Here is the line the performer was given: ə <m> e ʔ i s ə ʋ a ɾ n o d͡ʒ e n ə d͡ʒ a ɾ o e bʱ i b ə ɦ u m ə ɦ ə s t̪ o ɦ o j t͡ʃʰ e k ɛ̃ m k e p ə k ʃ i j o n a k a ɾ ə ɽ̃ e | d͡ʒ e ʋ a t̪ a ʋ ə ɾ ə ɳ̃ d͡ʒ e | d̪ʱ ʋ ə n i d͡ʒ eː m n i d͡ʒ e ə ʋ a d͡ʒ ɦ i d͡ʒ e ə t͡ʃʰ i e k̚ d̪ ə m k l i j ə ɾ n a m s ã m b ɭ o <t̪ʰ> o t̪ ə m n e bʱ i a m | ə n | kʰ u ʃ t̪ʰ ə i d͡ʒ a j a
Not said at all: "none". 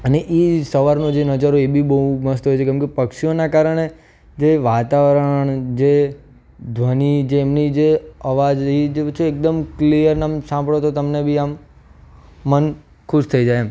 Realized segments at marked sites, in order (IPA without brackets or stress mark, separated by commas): n, t̪